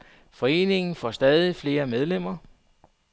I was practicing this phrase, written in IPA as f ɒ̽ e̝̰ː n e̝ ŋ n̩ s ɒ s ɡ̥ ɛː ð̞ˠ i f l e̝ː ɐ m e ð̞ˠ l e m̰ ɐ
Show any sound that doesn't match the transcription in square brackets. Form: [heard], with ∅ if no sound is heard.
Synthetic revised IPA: f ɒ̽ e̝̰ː n e̝ ŋ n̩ [f] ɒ s [d̥] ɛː ð̞ˠ i f l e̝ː ɐ m e ð̞ˠ l e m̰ ɐ